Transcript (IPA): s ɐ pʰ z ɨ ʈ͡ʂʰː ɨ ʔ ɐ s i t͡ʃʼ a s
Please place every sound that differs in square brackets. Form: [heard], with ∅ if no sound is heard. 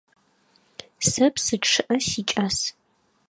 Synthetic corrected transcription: s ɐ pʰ [s] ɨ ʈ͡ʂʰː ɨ ʔ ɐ s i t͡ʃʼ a s